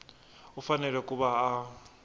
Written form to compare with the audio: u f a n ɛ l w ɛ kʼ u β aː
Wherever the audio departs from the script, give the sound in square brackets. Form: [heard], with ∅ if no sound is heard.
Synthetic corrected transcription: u f a n ɛ l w ɛ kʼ u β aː